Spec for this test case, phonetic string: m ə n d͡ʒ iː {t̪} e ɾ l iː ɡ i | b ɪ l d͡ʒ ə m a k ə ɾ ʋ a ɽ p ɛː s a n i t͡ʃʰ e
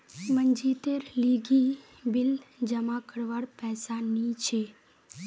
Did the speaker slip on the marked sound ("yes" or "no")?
no